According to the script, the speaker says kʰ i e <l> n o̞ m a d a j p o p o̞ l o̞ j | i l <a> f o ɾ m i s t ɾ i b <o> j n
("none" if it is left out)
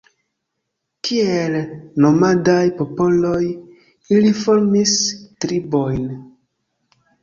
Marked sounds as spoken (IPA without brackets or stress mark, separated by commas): l, i, o